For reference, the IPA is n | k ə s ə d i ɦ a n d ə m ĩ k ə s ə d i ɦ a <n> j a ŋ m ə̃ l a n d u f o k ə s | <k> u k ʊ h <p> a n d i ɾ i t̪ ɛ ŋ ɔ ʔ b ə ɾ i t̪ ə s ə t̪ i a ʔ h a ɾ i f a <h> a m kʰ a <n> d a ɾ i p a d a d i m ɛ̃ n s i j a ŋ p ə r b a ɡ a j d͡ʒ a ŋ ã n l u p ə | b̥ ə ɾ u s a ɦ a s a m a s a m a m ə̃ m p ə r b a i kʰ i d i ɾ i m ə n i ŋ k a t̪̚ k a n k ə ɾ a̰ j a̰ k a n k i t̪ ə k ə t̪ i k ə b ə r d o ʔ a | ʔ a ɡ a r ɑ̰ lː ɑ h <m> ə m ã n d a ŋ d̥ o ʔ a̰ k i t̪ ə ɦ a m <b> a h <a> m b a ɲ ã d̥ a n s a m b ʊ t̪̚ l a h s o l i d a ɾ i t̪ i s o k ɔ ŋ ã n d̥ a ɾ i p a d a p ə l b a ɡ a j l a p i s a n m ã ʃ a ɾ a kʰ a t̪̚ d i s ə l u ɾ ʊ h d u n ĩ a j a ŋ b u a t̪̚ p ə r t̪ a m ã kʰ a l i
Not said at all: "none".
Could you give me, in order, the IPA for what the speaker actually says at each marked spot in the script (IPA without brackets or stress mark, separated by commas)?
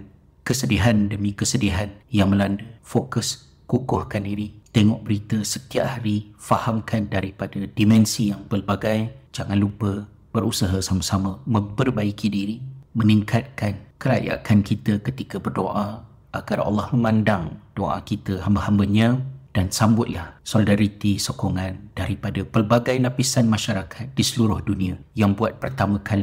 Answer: n, k, k, h, n, m, b, a